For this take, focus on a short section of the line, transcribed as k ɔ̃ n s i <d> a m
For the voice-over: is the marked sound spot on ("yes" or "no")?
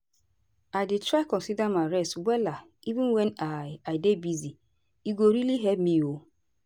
yes